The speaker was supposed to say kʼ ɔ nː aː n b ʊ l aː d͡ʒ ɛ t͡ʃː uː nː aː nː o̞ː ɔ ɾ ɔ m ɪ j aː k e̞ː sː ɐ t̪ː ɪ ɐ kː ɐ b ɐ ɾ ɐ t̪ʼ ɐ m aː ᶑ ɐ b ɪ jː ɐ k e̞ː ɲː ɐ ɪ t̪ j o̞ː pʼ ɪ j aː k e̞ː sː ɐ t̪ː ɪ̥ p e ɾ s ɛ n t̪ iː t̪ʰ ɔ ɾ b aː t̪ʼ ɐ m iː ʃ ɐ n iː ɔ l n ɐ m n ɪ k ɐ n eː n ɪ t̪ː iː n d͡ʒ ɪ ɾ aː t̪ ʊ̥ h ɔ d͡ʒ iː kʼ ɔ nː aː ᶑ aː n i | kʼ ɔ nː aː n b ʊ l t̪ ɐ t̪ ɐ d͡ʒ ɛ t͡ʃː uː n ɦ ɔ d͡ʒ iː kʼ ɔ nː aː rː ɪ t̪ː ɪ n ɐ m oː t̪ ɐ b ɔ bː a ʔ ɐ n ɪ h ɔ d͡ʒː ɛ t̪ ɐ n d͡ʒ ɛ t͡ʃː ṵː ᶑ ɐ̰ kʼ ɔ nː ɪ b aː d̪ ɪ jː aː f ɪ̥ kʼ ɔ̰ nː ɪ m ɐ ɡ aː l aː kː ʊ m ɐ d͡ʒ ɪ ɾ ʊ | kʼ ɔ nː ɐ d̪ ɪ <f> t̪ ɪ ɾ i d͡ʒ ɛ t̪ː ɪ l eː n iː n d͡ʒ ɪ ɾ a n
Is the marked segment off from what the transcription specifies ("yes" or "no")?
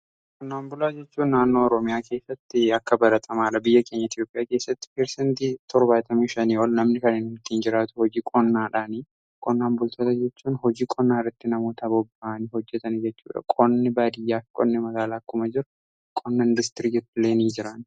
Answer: yes